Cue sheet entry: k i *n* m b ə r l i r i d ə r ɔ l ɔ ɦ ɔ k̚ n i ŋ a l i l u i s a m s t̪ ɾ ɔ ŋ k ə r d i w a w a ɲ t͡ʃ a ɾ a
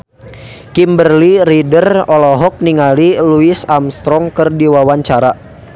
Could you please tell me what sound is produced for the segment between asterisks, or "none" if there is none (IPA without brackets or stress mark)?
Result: none